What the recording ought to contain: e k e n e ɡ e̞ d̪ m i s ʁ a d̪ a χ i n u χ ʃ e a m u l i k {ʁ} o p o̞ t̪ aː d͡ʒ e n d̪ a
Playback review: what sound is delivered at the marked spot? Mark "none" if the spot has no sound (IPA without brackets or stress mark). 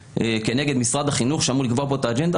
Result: v